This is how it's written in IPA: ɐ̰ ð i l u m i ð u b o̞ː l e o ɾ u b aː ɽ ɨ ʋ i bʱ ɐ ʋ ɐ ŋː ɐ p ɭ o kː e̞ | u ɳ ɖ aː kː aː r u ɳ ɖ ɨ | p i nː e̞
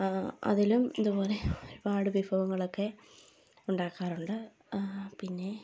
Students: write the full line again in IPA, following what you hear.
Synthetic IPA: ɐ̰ ð i l u m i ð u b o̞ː l e o ɾ u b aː ɽ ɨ ʋ i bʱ ɐ ʋ ɐ ŋː ɐ ɭ o kː e̞ | u ɳ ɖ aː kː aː r u ɳ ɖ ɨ | p i nː e̞